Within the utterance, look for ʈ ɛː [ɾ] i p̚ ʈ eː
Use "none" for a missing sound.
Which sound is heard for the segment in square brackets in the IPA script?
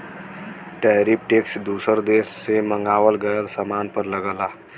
ɾ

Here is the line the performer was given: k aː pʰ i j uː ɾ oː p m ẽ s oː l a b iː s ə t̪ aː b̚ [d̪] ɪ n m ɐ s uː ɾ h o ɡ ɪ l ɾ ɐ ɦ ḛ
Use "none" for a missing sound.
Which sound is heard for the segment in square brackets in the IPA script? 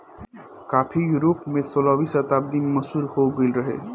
d̪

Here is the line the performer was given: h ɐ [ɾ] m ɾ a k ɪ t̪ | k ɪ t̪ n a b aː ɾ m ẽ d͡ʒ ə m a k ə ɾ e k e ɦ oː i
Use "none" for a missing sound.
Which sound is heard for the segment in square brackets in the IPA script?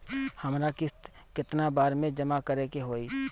none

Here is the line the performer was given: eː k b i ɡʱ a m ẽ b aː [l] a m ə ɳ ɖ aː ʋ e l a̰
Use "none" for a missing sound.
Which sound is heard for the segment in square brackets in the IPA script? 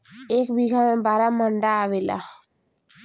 ɾ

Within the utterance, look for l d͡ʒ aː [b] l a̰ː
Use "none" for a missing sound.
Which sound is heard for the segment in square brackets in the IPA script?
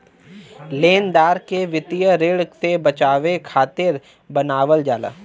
none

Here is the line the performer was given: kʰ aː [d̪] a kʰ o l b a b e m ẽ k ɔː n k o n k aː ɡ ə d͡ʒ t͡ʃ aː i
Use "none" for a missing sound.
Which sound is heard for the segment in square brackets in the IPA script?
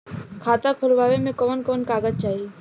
t̪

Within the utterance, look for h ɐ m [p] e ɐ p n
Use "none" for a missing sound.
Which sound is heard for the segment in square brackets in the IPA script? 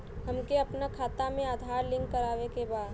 k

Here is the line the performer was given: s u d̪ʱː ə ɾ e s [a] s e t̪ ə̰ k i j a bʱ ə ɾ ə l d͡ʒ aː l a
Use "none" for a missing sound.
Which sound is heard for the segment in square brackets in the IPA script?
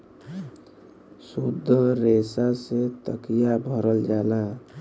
a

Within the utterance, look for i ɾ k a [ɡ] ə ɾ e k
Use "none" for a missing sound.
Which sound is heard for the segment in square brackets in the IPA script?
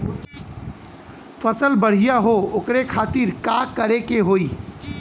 k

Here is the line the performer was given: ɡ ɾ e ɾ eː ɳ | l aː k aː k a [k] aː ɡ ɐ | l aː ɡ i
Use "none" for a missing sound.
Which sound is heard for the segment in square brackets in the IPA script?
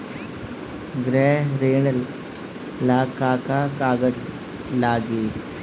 k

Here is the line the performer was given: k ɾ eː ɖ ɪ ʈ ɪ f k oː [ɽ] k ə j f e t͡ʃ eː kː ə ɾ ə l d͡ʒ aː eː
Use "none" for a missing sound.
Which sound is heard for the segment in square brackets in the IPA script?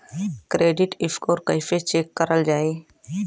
ɾ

